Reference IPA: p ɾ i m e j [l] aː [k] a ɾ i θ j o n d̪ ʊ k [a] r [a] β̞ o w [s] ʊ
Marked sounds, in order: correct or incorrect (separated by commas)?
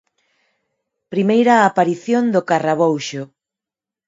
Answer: incorrect, incorrect, correct, correct, incorrect